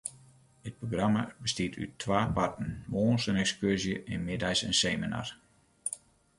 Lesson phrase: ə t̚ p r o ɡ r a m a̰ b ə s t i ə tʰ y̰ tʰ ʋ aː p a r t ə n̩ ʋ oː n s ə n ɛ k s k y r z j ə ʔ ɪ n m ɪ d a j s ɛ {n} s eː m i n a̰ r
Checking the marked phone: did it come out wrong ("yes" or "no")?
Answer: no